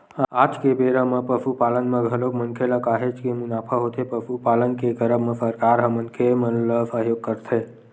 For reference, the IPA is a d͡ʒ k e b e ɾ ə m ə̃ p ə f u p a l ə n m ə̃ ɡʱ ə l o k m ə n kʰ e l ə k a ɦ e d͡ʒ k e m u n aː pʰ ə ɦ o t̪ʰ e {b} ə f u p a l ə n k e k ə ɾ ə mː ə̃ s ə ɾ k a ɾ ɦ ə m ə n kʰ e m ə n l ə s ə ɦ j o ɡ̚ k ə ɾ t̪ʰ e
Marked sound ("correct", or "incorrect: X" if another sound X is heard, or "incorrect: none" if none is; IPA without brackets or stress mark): incorrect: p